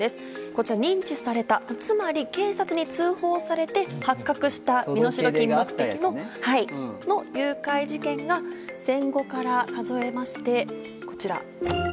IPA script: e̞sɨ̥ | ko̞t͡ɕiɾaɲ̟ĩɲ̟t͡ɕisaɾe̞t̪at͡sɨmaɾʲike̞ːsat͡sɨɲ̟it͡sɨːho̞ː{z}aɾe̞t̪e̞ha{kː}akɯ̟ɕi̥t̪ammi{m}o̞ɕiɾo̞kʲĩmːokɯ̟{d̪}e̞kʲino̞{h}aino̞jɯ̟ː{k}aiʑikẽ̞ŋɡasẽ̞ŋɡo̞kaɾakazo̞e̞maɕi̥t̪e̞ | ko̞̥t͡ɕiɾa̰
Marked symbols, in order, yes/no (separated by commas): no, yes, no, no, yes, yes